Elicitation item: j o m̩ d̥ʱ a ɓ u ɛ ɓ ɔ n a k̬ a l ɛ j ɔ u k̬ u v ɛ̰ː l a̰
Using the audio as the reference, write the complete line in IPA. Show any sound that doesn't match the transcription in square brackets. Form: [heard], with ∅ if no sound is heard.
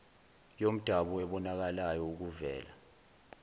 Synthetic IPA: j o m̩ d̥ʱ a ɓ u ɛ ɓ ɔ n a k̬ a l [a] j ɔ u k̬ u v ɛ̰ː l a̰